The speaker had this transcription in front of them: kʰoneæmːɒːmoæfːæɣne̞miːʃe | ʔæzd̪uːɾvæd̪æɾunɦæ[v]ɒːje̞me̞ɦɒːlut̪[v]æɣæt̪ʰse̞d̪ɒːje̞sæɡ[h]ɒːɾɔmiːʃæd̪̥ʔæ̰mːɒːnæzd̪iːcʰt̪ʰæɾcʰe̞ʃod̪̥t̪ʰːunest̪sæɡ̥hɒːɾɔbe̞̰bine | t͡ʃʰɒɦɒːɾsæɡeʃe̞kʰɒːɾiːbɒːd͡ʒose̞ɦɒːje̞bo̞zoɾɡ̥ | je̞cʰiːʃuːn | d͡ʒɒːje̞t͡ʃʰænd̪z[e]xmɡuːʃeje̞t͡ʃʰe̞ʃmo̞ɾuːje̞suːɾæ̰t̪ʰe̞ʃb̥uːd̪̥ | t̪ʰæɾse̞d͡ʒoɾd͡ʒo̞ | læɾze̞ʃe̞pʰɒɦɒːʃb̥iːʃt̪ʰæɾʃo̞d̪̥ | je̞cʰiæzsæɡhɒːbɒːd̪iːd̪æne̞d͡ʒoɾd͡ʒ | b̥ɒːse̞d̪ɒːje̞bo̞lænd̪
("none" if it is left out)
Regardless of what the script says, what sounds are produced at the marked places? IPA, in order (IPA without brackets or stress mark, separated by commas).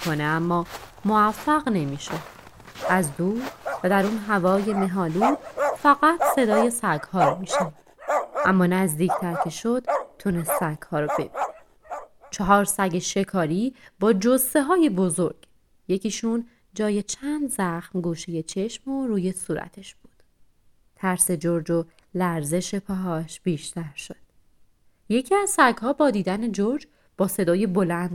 v, f, h, æ